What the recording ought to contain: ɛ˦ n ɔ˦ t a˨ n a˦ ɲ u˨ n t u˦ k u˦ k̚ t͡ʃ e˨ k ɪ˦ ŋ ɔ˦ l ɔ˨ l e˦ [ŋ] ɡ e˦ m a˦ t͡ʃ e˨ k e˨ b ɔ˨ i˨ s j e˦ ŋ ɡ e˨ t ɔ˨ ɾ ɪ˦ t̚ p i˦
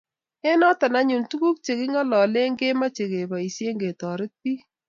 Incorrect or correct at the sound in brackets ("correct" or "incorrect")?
correct